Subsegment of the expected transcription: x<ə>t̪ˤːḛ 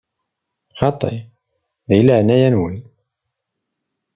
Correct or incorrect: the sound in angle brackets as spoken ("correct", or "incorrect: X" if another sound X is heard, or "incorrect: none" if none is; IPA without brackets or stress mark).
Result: incorrect: ɑ